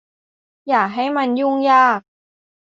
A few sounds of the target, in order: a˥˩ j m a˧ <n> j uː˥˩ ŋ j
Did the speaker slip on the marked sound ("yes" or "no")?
no